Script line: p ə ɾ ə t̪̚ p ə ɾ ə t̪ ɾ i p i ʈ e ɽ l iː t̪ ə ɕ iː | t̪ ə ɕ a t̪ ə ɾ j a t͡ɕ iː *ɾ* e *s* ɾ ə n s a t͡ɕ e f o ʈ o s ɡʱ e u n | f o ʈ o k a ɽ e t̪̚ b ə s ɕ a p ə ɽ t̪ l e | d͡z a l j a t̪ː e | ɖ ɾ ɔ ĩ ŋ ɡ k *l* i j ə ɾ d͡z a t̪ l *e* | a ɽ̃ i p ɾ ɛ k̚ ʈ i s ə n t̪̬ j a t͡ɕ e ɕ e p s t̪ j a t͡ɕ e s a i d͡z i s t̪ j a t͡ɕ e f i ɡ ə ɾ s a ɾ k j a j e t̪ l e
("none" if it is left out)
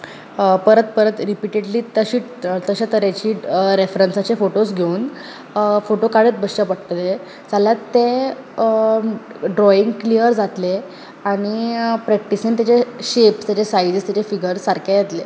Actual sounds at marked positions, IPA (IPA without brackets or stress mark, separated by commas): ɾ, f, l, e